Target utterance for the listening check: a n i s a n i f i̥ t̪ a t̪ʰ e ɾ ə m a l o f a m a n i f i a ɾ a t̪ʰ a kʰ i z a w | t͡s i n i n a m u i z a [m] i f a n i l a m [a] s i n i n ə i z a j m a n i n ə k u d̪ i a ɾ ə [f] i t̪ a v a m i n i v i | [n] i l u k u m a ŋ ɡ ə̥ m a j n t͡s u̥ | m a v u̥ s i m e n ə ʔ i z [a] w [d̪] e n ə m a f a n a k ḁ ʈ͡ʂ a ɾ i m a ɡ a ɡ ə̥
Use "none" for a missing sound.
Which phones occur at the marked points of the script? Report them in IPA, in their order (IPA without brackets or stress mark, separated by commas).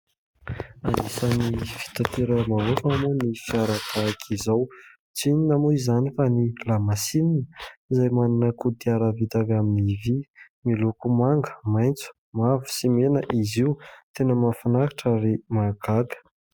n, a, v, m, i, t̪